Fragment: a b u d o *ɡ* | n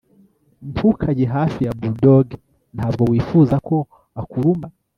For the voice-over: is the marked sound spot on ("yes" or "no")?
yes